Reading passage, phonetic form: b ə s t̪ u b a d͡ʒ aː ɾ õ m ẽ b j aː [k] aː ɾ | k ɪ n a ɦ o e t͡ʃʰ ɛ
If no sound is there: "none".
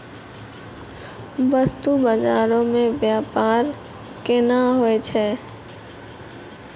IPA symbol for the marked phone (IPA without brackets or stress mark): p